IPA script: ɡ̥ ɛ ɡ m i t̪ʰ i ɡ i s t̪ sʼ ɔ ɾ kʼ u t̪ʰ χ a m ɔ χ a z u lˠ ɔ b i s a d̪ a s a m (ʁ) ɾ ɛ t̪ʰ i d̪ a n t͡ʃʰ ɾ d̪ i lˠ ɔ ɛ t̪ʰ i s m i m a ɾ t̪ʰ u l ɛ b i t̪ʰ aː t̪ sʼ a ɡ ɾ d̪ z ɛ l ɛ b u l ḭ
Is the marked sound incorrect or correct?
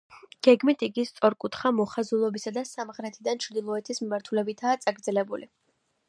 correct